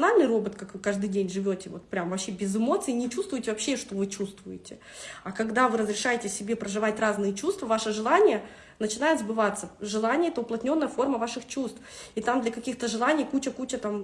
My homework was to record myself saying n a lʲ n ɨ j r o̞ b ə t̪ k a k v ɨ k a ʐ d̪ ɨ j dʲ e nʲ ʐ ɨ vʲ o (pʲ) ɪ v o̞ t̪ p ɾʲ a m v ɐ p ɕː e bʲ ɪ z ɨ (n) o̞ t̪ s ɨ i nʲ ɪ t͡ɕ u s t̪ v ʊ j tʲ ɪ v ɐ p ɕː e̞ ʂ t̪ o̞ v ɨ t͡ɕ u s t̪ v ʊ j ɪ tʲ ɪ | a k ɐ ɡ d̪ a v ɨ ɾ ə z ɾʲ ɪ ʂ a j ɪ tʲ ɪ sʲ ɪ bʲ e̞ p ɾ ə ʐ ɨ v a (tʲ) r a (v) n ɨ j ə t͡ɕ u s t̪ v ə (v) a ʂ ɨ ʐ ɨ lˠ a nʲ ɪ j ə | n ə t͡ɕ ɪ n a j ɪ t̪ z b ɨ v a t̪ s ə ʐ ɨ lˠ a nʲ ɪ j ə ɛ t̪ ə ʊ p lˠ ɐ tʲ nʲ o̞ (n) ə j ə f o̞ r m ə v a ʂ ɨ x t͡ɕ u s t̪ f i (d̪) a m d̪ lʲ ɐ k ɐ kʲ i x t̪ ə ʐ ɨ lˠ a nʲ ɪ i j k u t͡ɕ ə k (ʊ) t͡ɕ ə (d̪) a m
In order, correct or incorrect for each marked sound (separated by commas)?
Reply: incorrect, incorrect, correct, incorrect, correct, incorrect, incorrect, incorrect, incorrect